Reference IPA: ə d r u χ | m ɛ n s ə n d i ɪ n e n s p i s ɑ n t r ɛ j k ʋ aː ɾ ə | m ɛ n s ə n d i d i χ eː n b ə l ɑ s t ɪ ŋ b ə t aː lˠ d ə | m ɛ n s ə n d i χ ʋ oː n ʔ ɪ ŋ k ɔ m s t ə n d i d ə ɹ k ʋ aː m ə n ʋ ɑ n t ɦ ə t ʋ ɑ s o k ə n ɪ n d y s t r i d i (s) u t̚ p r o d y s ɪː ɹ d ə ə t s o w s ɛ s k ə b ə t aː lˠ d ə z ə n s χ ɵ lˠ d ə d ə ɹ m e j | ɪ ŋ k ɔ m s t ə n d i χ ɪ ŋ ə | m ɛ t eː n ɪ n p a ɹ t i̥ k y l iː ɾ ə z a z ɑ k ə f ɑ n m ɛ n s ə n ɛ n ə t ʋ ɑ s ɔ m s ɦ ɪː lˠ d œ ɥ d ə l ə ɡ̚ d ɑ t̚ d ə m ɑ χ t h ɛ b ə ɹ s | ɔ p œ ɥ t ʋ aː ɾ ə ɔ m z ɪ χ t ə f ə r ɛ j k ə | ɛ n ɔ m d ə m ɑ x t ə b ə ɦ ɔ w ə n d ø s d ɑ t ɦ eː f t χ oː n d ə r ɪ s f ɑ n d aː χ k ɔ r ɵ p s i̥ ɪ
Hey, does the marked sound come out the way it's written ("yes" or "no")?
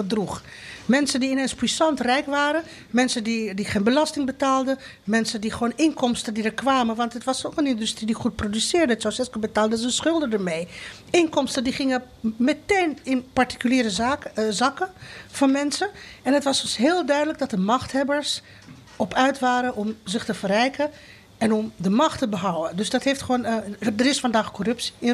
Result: no